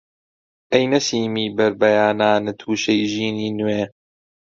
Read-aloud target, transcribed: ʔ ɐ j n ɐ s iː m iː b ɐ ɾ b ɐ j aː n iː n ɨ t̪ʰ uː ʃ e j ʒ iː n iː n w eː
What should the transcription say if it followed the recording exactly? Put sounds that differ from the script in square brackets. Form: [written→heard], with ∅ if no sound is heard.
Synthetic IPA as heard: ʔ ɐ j n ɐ s iː m iː b ɐ ɾ b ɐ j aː n [iː→aː] n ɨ t̪ʰ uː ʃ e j ʒ iː n iː n w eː